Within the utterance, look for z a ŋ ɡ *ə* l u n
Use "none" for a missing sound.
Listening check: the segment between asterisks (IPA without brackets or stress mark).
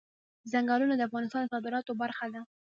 ɑ